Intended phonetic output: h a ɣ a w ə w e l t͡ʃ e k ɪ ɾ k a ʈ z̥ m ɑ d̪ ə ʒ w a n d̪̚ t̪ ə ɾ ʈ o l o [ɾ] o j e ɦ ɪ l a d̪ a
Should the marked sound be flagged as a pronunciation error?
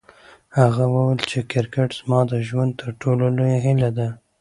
yes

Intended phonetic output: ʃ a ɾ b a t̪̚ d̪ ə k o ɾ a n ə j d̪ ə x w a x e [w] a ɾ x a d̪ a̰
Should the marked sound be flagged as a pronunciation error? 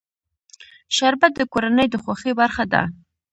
yes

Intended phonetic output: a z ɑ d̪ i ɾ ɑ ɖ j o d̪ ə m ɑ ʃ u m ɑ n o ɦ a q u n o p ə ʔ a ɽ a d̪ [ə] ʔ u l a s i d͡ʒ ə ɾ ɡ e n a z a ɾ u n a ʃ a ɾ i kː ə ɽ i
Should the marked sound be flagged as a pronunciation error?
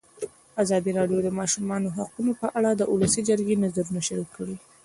no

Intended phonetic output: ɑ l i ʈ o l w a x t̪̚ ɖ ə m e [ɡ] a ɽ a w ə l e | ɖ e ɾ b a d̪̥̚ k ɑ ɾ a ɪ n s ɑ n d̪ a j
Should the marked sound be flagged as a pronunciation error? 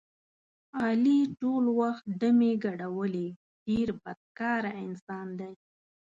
no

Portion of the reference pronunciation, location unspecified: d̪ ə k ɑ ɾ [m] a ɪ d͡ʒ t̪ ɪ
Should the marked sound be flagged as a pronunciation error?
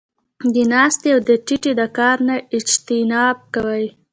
yes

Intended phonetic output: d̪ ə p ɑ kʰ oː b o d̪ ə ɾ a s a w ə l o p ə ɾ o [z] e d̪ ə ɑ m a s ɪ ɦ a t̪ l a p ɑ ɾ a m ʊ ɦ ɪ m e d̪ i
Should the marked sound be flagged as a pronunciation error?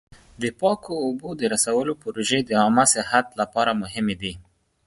yes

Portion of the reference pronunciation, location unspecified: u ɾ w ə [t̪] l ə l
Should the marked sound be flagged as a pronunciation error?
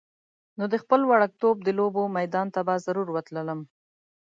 no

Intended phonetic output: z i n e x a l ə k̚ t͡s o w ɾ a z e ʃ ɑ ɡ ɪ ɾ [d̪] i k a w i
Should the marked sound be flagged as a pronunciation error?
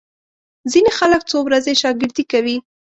no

